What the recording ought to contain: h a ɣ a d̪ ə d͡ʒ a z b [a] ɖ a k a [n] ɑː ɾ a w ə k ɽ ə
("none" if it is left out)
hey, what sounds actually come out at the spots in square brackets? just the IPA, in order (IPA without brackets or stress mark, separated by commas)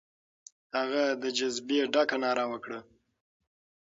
e, n